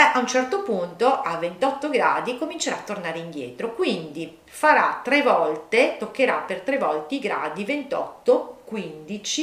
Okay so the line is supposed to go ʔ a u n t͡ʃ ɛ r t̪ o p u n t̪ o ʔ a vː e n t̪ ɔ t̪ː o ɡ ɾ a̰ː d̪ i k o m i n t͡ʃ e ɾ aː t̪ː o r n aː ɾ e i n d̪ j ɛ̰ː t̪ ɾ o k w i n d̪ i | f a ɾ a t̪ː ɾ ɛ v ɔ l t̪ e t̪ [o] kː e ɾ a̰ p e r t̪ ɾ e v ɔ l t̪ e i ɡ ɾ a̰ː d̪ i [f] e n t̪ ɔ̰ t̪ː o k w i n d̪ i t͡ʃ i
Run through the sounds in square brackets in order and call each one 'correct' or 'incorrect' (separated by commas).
correct, incorrect